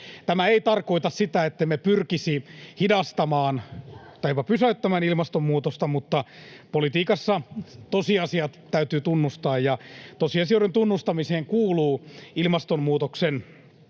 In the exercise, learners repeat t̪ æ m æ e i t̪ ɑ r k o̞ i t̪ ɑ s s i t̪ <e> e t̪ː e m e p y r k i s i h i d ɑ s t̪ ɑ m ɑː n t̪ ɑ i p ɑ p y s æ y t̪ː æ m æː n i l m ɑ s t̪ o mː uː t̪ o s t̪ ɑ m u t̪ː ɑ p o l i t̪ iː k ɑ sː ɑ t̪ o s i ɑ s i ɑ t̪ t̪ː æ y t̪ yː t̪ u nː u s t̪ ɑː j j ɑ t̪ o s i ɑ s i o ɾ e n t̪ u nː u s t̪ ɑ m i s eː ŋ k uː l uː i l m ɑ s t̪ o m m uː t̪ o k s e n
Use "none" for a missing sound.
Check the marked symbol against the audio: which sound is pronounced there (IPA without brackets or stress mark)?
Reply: æ